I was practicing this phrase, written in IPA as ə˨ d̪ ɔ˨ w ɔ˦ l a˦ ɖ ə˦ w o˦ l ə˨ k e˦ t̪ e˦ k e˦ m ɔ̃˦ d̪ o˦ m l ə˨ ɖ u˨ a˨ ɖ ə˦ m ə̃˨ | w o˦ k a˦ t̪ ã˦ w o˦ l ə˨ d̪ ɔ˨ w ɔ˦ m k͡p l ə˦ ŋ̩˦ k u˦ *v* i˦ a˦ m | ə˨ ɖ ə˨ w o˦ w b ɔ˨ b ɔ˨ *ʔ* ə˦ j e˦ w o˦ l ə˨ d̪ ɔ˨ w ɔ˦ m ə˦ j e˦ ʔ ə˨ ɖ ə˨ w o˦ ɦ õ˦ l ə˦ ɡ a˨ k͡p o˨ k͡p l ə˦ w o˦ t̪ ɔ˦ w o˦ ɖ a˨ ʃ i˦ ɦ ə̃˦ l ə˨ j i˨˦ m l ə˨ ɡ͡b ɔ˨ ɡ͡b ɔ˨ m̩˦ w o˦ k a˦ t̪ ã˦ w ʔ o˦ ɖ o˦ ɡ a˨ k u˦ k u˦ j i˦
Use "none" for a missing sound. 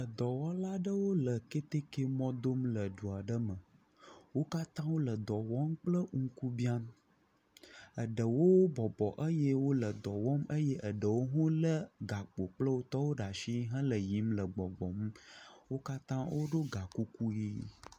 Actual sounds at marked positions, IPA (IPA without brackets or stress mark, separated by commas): b, ʔ